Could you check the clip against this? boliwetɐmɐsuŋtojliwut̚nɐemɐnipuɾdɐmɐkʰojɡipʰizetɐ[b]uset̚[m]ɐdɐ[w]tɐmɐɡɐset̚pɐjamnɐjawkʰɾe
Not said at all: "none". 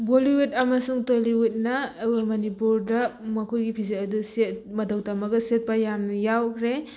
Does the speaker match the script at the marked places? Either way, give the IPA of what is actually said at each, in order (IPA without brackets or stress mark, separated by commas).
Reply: d, m, w